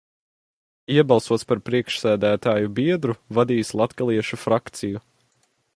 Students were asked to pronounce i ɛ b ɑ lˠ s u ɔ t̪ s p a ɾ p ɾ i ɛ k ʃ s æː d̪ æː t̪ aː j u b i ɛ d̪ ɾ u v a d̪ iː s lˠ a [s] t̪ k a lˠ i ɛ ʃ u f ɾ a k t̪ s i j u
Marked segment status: incorrect: none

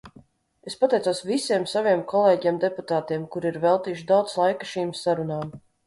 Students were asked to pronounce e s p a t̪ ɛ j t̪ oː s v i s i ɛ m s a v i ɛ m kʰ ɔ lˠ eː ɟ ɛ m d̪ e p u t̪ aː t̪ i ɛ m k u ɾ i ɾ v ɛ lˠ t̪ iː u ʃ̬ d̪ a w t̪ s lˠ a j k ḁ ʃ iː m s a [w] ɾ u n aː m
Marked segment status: incorrect: none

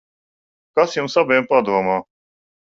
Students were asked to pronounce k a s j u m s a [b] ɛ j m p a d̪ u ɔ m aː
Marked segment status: correct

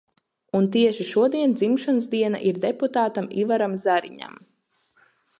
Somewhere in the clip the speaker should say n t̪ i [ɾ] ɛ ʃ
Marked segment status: incorrect: none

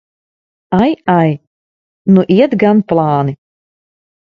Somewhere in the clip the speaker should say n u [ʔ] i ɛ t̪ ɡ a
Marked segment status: correct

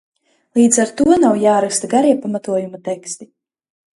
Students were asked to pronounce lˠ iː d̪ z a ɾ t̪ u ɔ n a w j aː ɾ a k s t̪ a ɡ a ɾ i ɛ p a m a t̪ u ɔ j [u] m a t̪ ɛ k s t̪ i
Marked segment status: correct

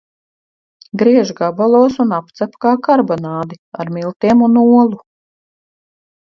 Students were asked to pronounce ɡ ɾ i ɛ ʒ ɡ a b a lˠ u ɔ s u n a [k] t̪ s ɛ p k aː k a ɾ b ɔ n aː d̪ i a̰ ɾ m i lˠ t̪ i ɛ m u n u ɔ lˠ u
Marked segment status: incorrect: p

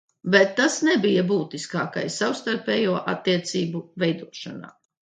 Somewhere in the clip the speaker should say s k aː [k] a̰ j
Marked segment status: correct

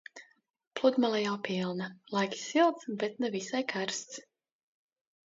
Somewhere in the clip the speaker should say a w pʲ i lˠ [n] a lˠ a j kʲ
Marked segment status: correct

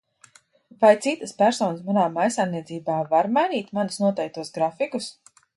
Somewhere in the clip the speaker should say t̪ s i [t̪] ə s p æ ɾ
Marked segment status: correct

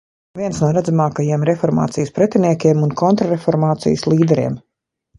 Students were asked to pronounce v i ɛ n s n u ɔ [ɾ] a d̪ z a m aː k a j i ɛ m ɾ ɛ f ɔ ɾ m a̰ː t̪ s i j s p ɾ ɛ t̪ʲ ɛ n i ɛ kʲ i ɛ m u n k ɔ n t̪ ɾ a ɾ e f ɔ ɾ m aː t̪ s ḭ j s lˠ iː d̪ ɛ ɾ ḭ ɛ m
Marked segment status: correct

